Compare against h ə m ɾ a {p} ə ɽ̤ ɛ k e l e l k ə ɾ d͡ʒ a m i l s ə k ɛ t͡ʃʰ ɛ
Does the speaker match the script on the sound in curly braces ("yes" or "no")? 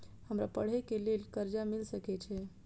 yes